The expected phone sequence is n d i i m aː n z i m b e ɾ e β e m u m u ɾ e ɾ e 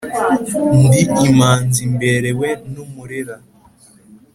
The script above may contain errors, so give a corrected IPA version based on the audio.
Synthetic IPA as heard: n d i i m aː n z i m b e ɾ e w e n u m u ɾ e ɾ a